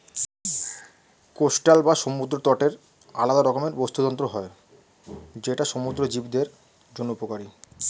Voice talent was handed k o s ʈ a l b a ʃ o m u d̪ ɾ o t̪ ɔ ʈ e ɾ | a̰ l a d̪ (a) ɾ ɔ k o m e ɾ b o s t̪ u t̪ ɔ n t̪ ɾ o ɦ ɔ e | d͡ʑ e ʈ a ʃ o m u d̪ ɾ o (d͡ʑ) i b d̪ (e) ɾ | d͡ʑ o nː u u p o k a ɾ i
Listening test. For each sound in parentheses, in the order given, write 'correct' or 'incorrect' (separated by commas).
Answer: correct, correct, correct